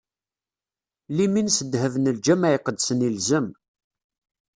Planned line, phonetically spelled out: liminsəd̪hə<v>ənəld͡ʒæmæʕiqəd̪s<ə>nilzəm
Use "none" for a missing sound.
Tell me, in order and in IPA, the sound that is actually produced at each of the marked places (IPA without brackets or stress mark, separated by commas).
v, ə